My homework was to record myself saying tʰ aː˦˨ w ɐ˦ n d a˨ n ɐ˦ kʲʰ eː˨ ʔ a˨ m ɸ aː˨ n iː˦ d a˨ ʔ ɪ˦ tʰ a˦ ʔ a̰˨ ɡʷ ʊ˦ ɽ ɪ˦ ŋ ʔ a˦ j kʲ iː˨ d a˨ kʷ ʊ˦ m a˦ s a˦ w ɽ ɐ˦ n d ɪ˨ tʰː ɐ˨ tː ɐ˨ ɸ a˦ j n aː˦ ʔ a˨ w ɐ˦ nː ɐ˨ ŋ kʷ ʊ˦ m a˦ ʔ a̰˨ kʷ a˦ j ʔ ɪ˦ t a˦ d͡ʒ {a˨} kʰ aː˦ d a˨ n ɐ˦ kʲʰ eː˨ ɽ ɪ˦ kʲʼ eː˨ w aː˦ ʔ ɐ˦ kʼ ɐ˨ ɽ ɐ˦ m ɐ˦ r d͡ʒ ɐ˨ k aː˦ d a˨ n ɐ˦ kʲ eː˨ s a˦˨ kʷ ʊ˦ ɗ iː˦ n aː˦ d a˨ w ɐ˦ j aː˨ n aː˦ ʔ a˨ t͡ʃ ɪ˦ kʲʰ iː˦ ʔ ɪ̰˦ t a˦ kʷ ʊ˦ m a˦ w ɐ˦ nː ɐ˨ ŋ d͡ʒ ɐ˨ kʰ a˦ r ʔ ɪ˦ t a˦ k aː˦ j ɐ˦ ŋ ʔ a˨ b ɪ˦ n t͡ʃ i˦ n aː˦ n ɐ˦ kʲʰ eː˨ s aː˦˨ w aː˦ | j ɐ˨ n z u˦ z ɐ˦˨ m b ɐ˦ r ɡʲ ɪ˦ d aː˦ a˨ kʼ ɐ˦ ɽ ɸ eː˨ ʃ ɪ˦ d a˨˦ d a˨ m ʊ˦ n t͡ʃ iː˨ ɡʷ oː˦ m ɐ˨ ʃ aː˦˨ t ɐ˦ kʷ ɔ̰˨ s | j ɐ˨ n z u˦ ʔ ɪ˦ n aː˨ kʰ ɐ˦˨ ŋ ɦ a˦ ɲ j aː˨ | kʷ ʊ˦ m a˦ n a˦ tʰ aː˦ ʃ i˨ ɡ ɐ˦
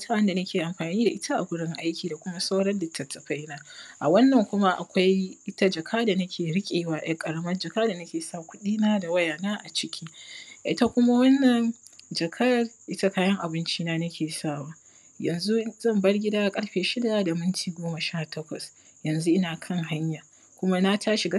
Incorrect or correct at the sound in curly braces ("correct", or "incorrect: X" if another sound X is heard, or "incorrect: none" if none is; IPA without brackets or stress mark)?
incorrect: ɐ˨